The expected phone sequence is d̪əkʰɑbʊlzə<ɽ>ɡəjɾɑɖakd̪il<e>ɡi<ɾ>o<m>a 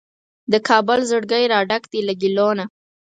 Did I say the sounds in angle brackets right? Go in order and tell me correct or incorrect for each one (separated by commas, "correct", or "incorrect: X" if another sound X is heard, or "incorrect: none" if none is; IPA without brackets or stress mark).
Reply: correct, incorrect: a, incorrect: l, incorrect: n